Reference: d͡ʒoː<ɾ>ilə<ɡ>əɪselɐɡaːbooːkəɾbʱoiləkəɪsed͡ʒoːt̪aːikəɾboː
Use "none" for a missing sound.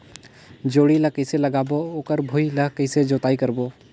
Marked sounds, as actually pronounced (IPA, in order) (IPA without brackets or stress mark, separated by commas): ɽ, k